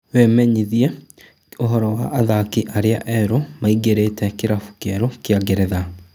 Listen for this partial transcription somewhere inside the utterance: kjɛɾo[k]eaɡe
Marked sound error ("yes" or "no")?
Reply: no